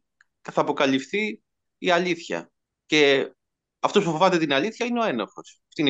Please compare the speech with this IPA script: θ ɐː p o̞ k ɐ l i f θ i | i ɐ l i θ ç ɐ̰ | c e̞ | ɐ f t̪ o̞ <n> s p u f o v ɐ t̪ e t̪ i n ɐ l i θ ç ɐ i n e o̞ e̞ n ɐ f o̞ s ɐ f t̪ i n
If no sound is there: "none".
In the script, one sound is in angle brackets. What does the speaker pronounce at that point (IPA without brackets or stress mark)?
none